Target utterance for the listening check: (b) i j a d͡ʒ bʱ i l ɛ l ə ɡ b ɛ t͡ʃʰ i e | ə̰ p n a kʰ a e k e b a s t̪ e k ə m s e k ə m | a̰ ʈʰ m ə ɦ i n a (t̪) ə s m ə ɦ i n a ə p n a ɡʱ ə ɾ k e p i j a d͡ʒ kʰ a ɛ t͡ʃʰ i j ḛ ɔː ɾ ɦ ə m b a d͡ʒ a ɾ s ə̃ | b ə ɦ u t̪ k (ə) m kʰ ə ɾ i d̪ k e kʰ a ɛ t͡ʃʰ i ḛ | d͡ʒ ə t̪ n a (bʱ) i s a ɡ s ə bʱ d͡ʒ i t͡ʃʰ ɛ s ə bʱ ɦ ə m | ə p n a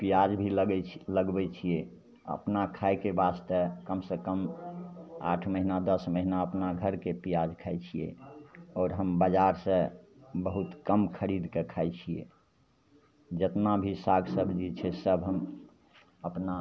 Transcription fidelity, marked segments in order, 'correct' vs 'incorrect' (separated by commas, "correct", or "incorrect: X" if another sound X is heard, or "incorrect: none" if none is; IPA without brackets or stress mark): incorrect: p, incorrect: d̪, correct, correct